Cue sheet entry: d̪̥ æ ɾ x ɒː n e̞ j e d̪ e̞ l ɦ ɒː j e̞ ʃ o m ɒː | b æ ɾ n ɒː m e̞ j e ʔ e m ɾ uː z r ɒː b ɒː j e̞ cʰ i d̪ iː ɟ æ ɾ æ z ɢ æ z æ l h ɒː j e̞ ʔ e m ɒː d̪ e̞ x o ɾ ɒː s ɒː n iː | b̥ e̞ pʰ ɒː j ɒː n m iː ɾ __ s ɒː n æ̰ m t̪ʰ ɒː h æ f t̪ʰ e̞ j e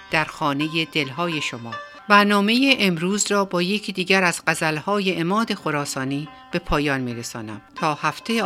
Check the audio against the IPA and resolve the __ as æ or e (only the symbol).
e